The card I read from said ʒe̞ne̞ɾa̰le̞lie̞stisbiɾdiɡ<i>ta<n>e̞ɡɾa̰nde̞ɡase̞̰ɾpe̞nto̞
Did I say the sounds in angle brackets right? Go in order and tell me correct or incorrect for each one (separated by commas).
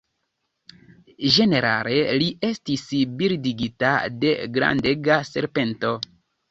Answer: correct, incorrect